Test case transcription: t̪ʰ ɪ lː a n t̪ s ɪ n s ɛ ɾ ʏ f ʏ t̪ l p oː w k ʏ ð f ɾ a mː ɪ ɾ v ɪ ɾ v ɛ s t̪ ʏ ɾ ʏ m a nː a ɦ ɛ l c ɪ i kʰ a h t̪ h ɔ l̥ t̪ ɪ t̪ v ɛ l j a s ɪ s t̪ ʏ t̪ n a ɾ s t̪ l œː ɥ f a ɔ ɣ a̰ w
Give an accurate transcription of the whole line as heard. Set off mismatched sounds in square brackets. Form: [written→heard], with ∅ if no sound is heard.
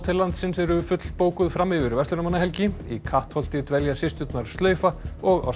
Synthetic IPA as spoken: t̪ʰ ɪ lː a n t̪ s ɪ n s ɛ ɾ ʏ f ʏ t̪ l p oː w k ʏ ð f ɾ a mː ɪ [ɾ→∅] v ɪ ɾ v ɛ s t̪ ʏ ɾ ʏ m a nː a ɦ ɛ l c ɪ i kʰ a h t̪ h ɔ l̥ t̪ ɪ t̪ v ɛ l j a s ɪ s t̪ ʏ t̪ n a ɾ s t̪ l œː ɥ f a ɔ ɣ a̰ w